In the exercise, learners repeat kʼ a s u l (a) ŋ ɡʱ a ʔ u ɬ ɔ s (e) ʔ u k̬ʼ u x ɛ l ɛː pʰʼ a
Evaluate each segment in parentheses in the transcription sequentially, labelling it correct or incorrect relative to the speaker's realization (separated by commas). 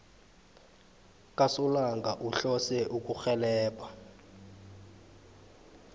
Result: correct, incorrect